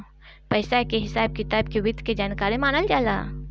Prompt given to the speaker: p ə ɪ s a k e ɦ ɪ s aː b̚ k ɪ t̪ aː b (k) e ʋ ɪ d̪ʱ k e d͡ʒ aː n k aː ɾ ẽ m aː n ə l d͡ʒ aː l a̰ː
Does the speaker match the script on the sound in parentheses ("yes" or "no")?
yes